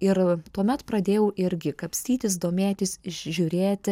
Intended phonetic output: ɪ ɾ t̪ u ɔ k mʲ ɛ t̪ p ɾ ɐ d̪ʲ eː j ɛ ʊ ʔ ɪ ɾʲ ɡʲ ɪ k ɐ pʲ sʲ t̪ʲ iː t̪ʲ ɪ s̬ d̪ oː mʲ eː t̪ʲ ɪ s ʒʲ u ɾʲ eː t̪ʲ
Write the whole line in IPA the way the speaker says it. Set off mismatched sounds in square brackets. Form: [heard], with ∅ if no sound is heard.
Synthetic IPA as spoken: ɪ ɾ t̪ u ɔ [∅] mʲ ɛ t̪ p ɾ ɐ d̪ʲ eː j ɛ ʊ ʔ ɪ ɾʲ ɡʲ ɪ k ɐ pʲ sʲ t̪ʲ iː t̪ʲ ɪ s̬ d̪ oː mʲ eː t̪ʲ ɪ s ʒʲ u ɾʲ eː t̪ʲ